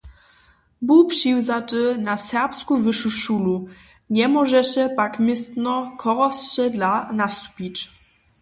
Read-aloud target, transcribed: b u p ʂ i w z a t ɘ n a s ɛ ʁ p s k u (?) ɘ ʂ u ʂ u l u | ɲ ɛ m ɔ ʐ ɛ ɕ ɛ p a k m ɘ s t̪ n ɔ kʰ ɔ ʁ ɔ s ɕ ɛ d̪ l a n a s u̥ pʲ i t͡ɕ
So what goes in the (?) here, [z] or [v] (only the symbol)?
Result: v